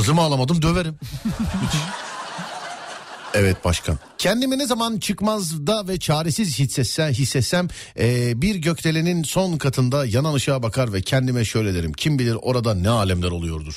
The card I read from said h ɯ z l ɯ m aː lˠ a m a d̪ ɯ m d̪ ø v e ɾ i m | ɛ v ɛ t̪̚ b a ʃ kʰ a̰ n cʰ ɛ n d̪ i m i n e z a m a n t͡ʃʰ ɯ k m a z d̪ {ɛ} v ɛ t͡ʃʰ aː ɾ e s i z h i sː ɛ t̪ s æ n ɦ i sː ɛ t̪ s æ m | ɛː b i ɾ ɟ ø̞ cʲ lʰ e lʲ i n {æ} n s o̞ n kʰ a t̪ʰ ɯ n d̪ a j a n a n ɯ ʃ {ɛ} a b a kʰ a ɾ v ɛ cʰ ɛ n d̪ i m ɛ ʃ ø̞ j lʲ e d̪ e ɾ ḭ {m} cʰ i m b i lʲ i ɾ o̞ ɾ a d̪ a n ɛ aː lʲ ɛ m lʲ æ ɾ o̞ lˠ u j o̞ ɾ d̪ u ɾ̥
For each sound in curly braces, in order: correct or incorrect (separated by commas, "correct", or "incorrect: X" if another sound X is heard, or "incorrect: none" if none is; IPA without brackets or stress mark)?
incorrect: a, incorrect: i, incorrect: a, correct